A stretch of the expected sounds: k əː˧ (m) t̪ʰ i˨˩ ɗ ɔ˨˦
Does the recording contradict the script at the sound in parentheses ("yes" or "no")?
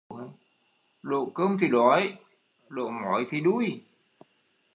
no